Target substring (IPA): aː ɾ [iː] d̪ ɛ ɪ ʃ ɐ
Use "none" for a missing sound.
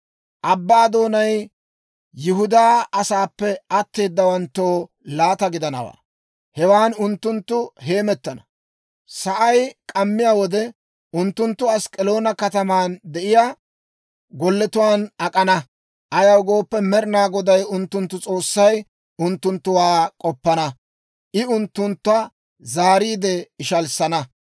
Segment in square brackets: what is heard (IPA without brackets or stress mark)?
iː